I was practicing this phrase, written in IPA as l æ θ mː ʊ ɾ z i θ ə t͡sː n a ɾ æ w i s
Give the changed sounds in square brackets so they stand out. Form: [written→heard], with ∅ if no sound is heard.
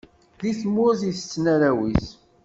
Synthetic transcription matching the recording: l [æ→i] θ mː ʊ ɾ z i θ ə t͡sː n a ɾ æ w i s